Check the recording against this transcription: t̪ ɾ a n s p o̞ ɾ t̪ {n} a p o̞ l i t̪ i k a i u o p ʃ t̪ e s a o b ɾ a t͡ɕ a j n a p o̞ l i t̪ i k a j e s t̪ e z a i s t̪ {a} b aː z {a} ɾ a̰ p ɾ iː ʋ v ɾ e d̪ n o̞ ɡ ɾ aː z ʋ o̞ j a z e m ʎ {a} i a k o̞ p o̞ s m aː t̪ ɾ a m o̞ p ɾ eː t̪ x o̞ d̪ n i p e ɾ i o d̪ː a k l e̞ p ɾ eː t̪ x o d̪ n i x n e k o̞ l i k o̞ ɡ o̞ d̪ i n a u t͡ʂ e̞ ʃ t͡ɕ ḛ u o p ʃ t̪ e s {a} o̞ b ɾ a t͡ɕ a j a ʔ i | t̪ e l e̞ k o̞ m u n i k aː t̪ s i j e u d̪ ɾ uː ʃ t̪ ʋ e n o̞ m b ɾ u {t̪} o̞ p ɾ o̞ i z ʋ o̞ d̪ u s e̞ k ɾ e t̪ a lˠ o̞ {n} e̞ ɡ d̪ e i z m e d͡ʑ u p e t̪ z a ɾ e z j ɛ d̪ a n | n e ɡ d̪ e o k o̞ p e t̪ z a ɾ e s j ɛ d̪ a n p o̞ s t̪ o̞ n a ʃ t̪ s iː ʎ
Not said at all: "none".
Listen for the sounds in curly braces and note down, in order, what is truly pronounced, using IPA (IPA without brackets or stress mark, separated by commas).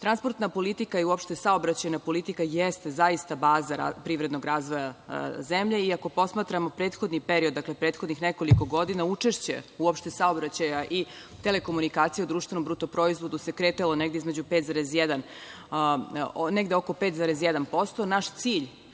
n, a, a, e, a, t̪, n